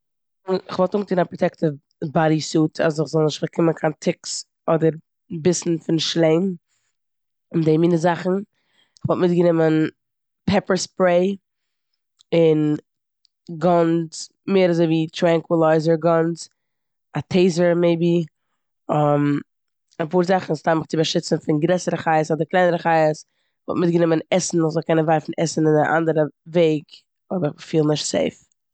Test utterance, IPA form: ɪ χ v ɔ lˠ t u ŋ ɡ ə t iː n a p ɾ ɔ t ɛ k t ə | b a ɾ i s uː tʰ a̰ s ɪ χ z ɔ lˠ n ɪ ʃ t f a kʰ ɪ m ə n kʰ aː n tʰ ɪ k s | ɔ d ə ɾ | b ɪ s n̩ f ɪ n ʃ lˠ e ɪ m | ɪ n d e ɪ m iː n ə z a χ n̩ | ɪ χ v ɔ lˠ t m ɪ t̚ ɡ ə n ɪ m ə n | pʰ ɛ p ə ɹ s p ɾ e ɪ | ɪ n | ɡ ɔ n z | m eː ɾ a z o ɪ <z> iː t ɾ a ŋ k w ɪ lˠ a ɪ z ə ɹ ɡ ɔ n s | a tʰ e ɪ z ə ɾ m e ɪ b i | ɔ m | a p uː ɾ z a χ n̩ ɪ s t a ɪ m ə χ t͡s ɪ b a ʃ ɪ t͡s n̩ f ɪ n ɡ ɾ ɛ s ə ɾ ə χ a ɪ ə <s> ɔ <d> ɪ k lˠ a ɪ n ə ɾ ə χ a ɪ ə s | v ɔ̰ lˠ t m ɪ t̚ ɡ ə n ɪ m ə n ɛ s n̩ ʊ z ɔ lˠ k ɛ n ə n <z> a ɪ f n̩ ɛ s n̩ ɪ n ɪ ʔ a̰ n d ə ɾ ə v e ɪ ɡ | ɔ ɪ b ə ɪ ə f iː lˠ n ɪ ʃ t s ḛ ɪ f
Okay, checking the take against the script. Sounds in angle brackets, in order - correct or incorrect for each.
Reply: incorrect: v, correct, correct, incorrect: v

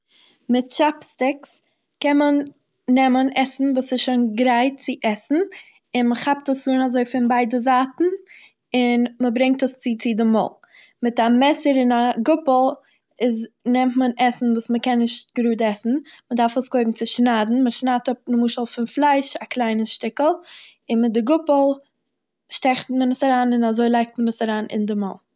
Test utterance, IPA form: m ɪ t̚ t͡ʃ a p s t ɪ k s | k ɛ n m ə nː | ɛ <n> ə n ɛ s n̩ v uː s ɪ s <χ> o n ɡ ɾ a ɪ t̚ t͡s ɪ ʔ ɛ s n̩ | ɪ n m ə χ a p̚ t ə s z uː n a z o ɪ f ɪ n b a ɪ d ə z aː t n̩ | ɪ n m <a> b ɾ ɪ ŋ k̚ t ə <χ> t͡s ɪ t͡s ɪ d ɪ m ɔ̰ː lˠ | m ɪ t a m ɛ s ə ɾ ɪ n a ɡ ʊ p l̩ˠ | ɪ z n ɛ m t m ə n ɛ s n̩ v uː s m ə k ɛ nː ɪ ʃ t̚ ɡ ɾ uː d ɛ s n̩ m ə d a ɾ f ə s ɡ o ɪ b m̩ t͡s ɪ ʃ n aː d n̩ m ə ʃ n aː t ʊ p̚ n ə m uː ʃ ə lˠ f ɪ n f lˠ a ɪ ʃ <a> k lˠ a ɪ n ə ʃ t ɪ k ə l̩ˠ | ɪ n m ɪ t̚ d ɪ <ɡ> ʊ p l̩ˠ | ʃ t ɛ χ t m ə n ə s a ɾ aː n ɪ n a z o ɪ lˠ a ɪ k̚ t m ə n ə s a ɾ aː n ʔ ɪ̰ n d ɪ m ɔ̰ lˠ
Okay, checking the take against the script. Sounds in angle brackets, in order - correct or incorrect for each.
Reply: incorrect: m, incorrect: ʃ, incorrect: ə, incorrect: s, correct, correct

